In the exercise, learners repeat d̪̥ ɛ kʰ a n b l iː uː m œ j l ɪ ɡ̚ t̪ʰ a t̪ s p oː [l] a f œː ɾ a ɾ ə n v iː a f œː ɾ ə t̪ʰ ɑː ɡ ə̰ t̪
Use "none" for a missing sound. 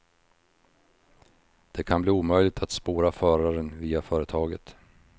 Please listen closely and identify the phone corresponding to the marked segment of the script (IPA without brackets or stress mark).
ɾ